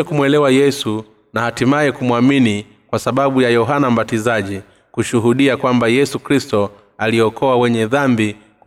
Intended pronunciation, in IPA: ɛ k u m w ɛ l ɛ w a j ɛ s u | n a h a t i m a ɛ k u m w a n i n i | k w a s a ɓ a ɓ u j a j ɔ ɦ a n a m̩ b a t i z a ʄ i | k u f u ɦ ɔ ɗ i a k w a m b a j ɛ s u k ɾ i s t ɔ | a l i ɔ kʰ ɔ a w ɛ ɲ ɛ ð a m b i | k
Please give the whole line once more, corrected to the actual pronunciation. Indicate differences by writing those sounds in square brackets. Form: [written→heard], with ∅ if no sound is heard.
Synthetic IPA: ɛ k u m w ɛ l ɛ w a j ɛ s u | n a h a t i m a ɛ k u m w a [n→m] i n i | k w a s a ɓ a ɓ u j a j ɔ ɦ a n a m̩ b a t i z a ʄ i | k u [f→ʃ] u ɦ [ɔ→u] ɗ i a k w a m b a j ɛ s u k ɾ i s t ɔ | a l i ɔ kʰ ɔ a w ɛ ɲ ɛ ð a m b i | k